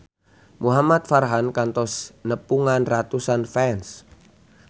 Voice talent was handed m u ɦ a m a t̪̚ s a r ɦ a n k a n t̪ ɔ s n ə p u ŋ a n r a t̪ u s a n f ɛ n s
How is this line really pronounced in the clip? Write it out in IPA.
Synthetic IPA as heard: m u ɦ a m a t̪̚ f a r ɦ a n k a n t̪ ɔ s n ə p u ŋ a n r a t̪ u s a n f ɛ n s